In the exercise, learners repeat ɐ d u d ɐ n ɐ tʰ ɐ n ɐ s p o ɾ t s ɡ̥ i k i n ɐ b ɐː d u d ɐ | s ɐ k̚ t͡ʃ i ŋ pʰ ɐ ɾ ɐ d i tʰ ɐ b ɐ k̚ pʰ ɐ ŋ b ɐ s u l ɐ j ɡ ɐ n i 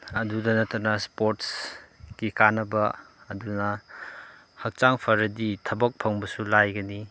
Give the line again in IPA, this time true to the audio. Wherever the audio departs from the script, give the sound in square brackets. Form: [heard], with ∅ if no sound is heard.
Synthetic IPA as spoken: ɐ d u d ɐ n ɐ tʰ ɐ n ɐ s p o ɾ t s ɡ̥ i k [a] n ɐ b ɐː d u [n] ɐ | [h] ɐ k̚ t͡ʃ [a] ŋ pʰ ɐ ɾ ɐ d i tʰ ɐ b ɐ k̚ pʰ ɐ ŋ b ɐ s u l [a] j ɡ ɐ n i